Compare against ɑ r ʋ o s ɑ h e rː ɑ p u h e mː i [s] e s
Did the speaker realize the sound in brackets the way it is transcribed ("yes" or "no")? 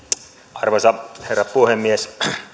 no